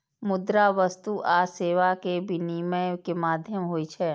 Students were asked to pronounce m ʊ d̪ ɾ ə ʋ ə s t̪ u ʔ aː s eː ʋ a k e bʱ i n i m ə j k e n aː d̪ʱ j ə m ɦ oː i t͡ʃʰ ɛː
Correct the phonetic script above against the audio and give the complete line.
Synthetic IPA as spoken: m ʊ d̪ ɾ a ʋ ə s t̪ u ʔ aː s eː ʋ a k e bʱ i n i m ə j k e m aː d̪ʱ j ə m ɦ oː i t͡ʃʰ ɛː